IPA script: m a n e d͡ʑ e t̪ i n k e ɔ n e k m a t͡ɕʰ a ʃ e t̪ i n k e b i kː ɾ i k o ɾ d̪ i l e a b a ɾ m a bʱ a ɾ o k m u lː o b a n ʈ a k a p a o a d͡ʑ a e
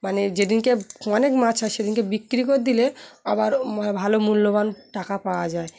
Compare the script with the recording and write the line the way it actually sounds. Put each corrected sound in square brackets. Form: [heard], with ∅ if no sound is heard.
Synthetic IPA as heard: m a n e d͡ʑ e [d̪] i n k e ɔ n e k m a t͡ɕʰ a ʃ e [d̪] i n k e b i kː ɾ i k o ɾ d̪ i l e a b a ɾ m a bʱ a [l] o [∅] m u lː o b a n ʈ a k a p a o a d͡ʑ a e

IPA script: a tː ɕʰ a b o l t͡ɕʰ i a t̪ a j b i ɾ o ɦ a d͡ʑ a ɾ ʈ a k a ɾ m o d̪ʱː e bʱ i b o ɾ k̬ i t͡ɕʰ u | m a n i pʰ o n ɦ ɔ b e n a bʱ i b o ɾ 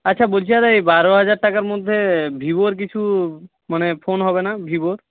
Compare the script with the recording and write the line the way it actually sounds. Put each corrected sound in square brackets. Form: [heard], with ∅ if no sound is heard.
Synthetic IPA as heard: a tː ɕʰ a b o l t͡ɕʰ i a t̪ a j b [a] ɾ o ɦ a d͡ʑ a ɾ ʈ a k a ɾ m o d̪ʱː e bʱ i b o ɾ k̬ i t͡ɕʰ u | m a n [e] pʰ o n ɦ ɔ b e n a bʱ i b o ɾ

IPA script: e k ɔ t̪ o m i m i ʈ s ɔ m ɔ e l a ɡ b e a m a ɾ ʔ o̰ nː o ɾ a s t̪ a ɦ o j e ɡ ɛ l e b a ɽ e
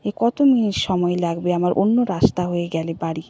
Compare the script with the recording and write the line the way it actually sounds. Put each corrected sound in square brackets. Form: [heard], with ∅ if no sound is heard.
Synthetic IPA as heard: e k ɔ t̪ o m i [n] i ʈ [ʃ] ɔ m ɔ e l a ɡ b e a m a ɾ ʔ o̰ nː o ɾ a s t̪ a ɦ o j e ɡ ɛ l e b a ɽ [i]

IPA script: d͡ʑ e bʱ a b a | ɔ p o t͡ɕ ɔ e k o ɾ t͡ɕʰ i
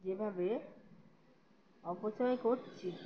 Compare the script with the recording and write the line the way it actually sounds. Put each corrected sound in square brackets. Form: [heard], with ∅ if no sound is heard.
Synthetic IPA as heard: d͡ʑ e bʱ a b [e] | ɔ p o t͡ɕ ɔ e k o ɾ t͡ɕʰ i

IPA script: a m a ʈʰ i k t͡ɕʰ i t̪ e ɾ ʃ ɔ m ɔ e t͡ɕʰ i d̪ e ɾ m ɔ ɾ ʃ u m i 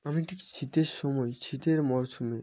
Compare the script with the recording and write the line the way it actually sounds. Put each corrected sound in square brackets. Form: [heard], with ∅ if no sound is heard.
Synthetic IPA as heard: a m [i] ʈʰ i k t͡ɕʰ i t̪ e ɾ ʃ ɔ m ɔ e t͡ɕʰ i [t̪] e ɾ m ɔ ɾ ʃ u m [e]

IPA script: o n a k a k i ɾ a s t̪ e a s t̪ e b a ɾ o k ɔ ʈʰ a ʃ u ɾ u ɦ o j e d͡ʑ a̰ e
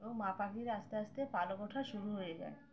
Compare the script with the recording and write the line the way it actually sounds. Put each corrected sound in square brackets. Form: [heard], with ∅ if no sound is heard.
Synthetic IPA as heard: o [m] a [p] a k i ɾ a s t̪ e a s t̪ e [p] a [l] o k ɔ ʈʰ a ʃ u ɾ u ɦ o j e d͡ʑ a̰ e

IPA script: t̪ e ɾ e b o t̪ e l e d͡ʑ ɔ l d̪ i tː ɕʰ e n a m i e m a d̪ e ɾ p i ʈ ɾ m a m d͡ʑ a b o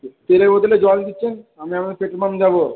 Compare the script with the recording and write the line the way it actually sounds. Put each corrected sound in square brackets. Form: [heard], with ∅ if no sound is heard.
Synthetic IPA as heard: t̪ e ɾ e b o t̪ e l e d͡ʑ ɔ l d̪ i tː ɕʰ e n a m i [a] m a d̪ e ɾ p [e] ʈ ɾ m a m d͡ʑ a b o

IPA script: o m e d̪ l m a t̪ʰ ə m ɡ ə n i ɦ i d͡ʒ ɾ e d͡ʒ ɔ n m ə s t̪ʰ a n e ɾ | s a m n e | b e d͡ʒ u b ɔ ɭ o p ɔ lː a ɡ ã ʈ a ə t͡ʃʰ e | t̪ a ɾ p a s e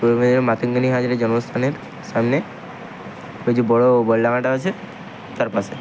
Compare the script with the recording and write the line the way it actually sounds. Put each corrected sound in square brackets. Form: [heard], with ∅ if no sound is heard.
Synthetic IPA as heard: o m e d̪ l m a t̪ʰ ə [ŋ] ɡ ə n i ɦ [a] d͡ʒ ɾ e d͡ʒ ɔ n m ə s t̪ʰ a n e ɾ | s a m n e | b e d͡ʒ u b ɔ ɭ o [b] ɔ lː a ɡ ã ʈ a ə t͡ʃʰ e | t̪ a ɾ p a s e

